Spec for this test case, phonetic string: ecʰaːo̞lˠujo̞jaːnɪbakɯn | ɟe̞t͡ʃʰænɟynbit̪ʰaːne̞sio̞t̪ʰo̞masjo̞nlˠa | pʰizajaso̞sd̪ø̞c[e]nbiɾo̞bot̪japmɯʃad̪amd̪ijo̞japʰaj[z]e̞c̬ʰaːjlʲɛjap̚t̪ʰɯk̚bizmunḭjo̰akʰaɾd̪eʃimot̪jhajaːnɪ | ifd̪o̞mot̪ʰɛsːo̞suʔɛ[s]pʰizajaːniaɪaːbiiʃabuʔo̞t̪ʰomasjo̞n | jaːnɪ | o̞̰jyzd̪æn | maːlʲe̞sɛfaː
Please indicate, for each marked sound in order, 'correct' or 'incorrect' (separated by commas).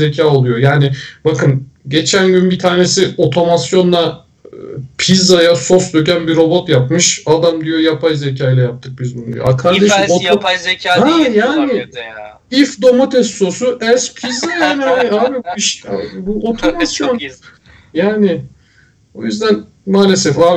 incorrect, correct, correct